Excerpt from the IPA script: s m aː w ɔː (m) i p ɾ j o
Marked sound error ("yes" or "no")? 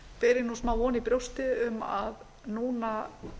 yes